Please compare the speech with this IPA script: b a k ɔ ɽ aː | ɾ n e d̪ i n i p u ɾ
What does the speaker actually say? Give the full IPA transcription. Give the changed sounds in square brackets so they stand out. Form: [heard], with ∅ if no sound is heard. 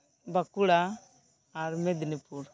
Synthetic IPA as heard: b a k [u] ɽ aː | ɾ [m] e d̪ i n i p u ɾ

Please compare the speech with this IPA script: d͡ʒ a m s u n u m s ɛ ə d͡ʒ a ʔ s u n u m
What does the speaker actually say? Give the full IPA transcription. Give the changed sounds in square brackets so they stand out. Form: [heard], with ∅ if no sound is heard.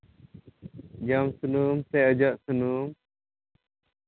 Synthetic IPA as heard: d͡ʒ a m s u n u m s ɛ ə d͡ʒ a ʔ s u n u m

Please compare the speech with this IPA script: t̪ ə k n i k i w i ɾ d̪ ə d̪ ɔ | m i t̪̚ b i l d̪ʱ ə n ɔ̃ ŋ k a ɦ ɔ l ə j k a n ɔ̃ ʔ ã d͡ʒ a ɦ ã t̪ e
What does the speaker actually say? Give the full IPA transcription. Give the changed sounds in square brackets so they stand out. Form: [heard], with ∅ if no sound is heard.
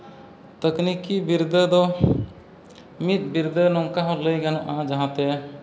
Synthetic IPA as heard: t̪ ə k n i k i [b] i ɾ d̪ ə d̪ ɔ | m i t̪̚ b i [ɾ] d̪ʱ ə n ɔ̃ ŋ k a ɦ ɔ l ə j [ɡ] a n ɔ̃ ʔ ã d͡ʒ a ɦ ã t̪ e

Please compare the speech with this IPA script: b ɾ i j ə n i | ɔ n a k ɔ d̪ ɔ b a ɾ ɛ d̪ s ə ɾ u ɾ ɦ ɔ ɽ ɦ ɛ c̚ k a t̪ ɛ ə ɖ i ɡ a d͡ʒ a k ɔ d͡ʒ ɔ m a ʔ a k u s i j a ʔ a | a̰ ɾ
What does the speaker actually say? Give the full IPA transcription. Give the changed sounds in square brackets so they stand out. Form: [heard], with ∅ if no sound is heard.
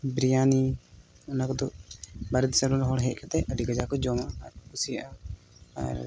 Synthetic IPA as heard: b ɾ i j [a] n i | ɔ n a k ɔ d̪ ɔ b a ɾ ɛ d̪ s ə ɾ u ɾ ɦ ɔ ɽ ɦ ɛ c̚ k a t̪ ɛ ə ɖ i ɡ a d͡ʒ a k ɔ d͡ʒ ɔ m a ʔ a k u s i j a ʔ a | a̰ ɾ

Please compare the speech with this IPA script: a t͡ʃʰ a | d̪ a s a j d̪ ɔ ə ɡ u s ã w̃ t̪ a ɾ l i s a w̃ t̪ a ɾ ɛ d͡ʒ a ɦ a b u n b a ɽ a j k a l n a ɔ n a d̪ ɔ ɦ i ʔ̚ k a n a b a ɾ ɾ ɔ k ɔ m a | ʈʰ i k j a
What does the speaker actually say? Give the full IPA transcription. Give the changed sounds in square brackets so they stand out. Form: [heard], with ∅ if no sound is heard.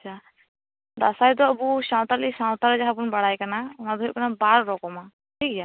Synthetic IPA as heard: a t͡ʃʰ a | d̪ a s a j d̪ ɔ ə [b] u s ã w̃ t̪ a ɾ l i s a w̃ t̪ a ɾ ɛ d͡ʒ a ɦ a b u n b a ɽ a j k a [∅] n a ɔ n a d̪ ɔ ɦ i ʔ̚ k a n a b a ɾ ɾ ɔ k ɔ m a | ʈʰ i k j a

